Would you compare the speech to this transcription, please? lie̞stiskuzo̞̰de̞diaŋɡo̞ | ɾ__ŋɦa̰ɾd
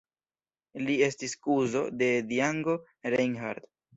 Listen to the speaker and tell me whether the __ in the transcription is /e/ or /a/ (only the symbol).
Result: e